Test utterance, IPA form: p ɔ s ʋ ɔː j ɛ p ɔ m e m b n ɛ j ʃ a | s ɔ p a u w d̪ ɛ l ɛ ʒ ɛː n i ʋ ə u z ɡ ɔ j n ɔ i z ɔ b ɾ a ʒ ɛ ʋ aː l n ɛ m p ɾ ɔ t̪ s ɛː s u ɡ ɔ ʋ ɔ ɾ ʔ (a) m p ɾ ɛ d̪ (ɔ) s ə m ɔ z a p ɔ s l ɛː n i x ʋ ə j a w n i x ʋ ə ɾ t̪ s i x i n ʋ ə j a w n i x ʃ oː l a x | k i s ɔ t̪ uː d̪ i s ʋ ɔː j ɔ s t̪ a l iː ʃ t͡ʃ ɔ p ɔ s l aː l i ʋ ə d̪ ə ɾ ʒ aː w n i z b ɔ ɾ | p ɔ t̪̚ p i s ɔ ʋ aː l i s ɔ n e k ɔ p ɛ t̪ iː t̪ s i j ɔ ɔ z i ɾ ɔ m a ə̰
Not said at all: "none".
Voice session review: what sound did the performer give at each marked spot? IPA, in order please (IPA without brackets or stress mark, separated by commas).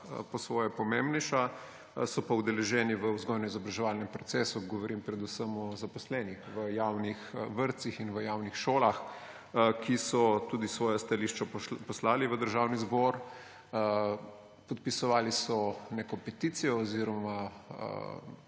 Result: i, u